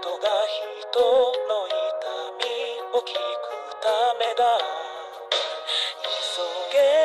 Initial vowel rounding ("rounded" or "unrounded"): rounded